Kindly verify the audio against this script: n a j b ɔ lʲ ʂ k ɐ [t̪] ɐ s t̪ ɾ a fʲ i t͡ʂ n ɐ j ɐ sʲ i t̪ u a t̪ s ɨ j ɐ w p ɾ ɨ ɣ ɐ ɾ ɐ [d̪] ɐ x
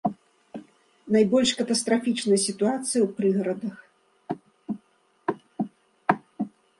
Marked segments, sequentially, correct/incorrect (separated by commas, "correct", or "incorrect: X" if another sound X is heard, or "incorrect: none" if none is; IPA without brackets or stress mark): correct, correct